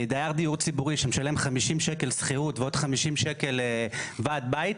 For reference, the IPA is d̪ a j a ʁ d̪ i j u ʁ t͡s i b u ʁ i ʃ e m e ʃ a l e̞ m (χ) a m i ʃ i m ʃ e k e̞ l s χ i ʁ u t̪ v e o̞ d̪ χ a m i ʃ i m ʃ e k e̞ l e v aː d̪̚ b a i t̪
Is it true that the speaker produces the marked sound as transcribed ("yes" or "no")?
yes